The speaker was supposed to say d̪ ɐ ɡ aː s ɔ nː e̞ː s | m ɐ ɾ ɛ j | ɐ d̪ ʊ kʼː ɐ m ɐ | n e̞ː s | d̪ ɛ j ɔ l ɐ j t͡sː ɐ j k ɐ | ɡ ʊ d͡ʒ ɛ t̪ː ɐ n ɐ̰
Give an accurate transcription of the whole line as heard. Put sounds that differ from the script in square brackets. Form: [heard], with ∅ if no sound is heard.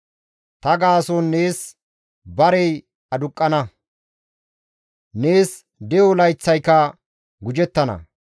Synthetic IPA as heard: [t̪] ɐ ɡ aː s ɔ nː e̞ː s | [b] ɐ ɾ ɛ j | ɐ d̪ ʊ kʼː ɐ [n] ɐ | n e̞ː s | d̪ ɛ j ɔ l ɐ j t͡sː ɐ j k ɐ | ɡ ʊ d͡ʒ ɛ t̪ː ɐ n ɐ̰